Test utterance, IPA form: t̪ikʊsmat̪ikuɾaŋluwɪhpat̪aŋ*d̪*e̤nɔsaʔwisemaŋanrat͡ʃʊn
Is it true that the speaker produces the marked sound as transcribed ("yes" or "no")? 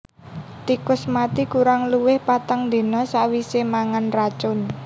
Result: yes